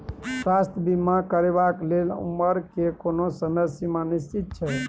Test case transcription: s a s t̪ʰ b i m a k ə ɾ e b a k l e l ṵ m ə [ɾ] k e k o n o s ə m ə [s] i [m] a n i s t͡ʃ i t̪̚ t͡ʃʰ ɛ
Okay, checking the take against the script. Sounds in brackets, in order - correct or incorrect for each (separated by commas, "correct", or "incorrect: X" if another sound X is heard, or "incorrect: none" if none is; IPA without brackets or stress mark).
correct, correct, correct